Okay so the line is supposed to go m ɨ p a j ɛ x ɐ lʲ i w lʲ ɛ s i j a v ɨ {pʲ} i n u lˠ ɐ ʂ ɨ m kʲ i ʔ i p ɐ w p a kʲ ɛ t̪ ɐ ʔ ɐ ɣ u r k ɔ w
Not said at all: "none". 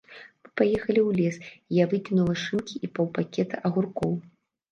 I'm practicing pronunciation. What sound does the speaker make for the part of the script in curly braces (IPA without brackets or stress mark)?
kʲ